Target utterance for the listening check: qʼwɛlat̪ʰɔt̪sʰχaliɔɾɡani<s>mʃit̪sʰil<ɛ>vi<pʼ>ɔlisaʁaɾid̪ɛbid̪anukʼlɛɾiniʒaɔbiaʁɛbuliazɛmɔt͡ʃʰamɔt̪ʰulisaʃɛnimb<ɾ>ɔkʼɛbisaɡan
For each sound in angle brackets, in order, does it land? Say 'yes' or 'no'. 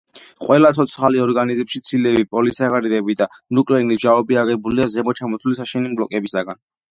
no, yes, yes, no

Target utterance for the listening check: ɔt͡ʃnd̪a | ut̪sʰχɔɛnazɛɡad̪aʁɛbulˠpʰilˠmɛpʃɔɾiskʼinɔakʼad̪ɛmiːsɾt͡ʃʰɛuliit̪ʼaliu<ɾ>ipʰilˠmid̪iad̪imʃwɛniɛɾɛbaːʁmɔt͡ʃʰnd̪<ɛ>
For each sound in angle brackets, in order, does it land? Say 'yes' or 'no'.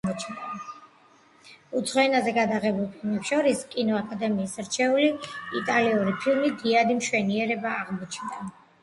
yes, no

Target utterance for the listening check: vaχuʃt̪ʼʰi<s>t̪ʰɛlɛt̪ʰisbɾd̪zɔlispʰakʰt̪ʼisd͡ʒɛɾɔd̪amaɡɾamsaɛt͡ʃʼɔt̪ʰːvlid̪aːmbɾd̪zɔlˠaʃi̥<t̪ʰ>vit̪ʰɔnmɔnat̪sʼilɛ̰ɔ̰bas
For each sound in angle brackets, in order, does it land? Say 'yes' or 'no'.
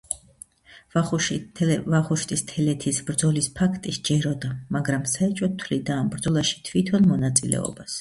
yes, yes

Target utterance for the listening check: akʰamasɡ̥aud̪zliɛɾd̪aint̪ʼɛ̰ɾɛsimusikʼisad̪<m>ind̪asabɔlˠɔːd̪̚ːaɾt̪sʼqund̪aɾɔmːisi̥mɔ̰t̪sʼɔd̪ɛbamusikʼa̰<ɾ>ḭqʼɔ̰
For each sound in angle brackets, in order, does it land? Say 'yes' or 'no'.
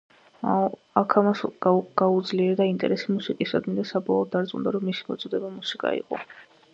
yes, no

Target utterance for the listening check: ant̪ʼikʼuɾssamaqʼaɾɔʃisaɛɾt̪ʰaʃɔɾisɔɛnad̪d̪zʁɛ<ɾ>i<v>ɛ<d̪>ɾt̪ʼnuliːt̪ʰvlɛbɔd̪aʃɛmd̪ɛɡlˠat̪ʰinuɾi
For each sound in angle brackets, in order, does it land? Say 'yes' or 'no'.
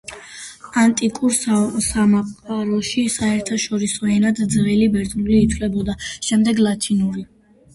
no, no, no

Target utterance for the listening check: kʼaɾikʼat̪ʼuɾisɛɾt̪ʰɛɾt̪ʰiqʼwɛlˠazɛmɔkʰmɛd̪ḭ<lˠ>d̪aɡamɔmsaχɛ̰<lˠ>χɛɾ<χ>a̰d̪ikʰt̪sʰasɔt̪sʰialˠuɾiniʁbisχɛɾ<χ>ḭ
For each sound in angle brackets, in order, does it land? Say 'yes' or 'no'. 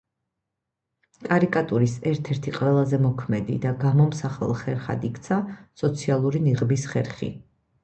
no, yes, yes, yes

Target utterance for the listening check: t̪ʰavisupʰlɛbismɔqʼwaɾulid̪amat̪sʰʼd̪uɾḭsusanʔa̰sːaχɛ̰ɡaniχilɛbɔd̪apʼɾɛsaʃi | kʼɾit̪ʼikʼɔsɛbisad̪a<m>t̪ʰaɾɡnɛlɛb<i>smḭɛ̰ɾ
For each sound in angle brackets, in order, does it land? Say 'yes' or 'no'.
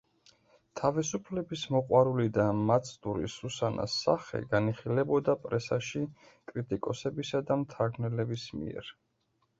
yes, yes

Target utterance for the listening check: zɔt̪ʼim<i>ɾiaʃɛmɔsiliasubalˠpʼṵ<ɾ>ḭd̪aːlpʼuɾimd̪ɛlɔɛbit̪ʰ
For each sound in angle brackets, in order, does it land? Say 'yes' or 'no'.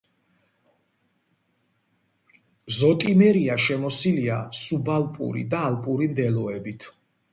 no, yes

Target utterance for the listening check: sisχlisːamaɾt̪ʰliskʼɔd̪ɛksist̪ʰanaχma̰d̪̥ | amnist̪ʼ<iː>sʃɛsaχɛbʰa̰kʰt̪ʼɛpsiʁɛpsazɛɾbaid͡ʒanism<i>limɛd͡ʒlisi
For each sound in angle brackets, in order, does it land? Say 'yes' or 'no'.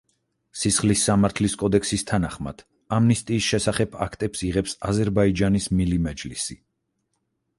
yes, yes

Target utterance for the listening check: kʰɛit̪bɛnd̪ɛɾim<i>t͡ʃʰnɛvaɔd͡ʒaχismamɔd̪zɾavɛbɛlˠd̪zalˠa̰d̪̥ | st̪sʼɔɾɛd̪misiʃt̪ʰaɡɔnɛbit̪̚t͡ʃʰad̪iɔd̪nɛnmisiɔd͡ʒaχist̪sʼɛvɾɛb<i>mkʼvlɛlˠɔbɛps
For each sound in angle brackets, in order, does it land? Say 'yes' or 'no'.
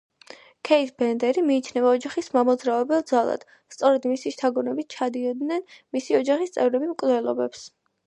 no, yes

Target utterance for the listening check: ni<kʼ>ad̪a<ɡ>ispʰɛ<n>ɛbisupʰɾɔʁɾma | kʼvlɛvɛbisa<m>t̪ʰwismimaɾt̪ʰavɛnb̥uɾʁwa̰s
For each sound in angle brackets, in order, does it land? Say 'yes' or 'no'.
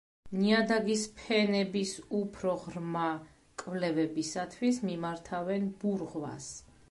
no, yes, yes, no

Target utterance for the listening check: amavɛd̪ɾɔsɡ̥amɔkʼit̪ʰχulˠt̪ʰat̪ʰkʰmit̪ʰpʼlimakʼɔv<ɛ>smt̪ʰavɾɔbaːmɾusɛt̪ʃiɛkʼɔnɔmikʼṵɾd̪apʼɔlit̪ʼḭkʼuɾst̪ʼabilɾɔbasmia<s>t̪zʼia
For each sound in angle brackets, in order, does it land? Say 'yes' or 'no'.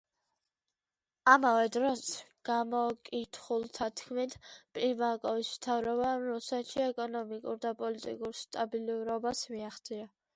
no, no

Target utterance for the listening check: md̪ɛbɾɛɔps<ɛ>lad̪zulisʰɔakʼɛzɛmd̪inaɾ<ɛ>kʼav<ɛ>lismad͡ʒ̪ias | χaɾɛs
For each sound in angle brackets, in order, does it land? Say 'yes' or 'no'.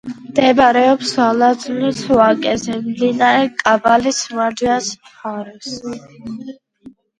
no, yes, no

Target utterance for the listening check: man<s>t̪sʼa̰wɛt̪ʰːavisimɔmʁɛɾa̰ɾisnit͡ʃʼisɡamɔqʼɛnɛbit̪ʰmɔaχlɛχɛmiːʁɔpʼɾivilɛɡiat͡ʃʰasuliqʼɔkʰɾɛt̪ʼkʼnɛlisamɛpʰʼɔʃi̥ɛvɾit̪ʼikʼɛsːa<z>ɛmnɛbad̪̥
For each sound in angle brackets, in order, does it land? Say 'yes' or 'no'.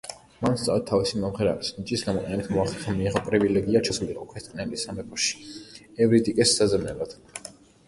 yes, yes

